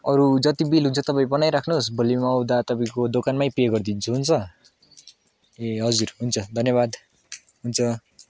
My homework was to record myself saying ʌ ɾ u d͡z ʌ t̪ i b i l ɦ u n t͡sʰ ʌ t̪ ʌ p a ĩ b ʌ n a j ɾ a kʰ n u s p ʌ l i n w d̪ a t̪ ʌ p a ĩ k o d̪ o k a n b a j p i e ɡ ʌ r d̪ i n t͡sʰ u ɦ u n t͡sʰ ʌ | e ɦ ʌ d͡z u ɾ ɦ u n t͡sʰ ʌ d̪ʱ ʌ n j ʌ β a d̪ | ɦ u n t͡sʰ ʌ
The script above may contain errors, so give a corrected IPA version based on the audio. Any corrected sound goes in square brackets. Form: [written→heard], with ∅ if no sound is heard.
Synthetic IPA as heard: ʌ ɾ u d͡z ʌ t̪ i b i l ɦ u n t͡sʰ ʌ t̪ ʌ p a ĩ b ʌ n a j ɾ a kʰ n u s [p→b] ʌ l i [n→m] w d̪ a t̪ ʌ p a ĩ k o d̪ o k a n [b→m] a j p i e ɡ ʌ r d̪ i n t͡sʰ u ɦ u n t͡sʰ ʌ | e ɦ ʌ d͡z u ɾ ɦ u n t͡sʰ ʌ d̪ʱ ʌ n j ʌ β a d̪ | ɦ u n t͡sʰ ʌ

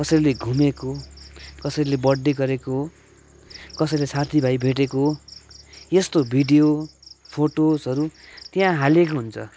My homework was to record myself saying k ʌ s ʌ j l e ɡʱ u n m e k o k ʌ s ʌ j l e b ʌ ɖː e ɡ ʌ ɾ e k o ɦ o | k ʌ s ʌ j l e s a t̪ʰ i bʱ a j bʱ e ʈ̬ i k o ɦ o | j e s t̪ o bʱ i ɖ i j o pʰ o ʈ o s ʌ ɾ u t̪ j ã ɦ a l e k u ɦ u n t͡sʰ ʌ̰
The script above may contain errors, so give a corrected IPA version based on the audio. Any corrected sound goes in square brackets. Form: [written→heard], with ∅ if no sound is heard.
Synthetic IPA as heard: k ʌ s ʌ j l e ɡʱ u [n→∅] m e k o k ʌ s ʌ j l e b ʌ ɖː e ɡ ʌ ɾ e k o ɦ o | k ʌ s ʌ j l e s a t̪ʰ i bʱ a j bʱ e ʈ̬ [i→e] k o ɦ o | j e s t̪ o bʱ i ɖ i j o pʰ o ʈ o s ʌ ɾ u t̪ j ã ɦ a l e k [u→o] ɦ u n t͡sʰ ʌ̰

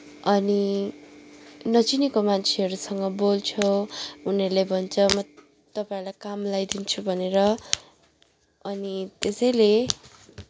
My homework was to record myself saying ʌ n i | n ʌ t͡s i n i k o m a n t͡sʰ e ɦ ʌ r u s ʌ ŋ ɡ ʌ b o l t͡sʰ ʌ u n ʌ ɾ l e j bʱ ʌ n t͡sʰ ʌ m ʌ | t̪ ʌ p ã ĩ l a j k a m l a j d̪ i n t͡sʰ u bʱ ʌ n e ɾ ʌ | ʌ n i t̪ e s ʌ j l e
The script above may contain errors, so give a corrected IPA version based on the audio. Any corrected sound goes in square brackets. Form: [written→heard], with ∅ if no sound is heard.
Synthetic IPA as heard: ʌ n i | n ʌ t͡s i n i k o m a n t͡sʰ e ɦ ʌ [r→ɾ] u s ʌ ŋ ɡ ʌ b o l t͡sʰ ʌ u n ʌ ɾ l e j bʱ ʌ n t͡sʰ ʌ m ʌ | t̪ ʌ p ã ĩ l a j k a m l a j d̪ i n t͡sʰ u bʱ ʌ n e ɾ ʌ | ʌ n i t̪ e s ʌ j l e

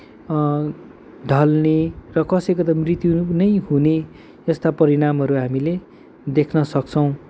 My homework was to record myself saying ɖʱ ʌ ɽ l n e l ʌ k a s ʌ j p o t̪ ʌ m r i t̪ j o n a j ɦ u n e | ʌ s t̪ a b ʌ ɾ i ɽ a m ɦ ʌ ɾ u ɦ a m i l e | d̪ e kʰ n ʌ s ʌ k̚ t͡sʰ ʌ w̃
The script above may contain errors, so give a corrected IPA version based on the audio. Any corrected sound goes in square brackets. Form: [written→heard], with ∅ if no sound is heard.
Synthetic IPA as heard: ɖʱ ʌ [ɽ→∅] l n e [l→r] ʌ k [a→ʌ] s ʌ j [p→k] o t̪ ʌ m r i t̪ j [o→u] n [a→ʌ] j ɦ u n e | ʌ s t̪ a [b→p] ʌ ɾ i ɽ a m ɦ ʌ ɾ u ɦ a m i l e | d̪ e kʰ n ʌ s ʌ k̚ t͡sʰ ʌ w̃

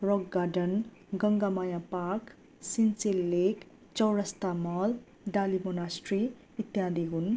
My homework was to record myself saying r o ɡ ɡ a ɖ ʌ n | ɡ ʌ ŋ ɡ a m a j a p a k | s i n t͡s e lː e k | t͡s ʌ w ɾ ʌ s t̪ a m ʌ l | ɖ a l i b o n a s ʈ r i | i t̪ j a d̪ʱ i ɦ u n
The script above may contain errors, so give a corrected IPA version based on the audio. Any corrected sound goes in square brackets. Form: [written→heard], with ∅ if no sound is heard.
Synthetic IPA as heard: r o ɡ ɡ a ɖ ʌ n | ɡ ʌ ŋ ɡ a m a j a p a k | s i n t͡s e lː e k | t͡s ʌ w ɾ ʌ s t̪ a m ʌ l | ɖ a l i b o n a s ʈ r i | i t̪ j a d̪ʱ i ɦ u n

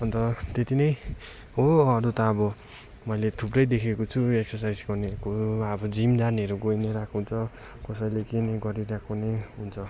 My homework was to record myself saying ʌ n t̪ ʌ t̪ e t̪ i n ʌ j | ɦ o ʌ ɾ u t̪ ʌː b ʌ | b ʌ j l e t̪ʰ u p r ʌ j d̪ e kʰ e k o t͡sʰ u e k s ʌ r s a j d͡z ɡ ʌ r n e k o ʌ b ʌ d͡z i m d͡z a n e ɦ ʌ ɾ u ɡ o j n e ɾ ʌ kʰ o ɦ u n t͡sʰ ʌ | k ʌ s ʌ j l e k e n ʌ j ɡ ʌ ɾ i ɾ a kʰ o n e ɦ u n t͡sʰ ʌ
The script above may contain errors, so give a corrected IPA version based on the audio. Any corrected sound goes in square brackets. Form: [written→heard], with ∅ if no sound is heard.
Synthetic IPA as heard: ʌ n t̪ ʌ t̪ e t̪ i n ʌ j | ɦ o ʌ ɾ u t̪ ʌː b ʌ | [b→m] ʌ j l e t̪ʰ u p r ʌ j d̪ e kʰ e k o t͡sʰ u e k s ʌ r s a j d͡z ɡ ʌ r n e k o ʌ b ʌ d͡z i m d͡z a n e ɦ ʌ ɾ u ɡ o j n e ɾ [ʌ→a] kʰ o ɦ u n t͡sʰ ʌ | k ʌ s ʌ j l e k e n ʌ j ɡ ʌ ɾ i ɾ a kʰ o n e ɦ u n t͡sʰ ʌ

